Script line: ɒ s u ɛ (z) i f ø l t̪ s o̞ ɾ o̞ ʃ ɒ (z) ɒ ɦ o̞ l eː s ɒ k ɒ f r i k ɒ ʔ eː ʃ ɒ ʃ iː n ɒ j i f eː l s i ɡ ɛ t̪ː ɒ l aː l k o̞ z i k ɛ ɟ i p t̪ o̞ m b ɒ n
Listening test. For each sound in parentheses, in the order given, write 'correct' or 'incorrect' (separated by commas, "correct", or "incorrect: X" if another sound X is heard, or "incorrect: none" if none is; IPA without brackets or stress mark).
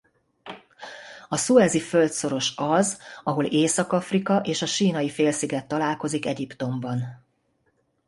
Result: correct, correct